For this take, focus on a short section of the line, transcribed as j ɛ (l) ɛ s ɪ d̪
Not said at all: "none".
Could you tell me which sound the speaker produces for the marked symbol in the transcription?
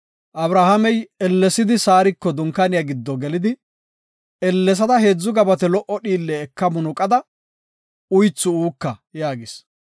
lː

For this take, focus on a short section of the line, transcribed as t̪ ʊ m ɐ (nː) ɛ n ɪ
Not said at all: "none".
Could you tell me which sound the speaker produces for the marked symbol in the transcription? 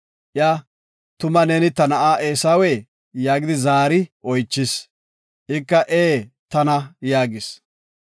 n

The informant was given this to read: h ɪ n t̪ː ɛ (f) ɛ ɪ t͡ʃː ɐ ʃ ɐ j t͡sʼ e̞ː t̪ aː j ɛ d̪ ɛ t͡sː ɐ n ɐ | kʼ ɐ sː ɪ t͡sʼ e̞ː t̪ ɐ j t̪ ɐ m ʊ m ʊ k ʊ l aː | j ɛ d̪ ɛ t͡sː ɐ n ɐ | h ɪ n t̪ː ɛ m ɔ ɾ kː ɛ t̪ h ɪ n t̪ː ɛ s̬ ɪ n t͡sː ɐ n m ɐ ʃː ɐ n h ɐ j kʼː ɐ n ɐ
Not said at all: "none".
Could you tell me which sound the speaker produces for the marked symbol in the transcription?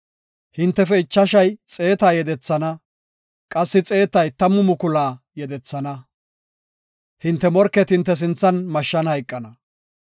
f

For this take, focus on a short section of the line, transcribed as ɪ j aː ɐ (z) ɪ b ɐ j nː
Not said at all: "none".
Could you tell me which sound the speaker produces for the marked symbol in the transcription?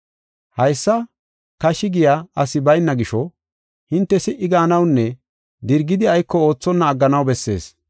s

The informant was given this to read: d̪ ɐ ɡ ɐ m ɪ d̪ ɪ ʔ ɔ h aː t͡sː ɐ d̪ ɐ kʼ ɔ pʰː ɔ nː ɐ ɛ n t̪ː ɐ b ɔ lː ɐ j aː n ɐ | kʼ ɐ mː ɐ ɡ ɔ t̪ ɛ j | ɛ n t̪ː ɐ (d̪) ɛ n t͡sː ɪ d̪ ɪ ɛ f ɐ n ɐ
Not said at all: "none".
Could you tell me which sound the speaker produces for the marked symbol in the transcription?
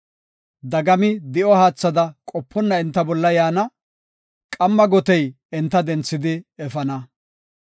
d̪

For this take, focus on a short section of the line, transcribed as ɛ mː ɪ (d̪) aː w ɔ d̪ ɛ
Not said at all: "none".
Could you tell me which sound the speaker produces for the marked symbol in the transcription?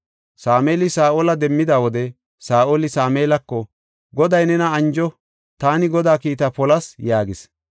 d̪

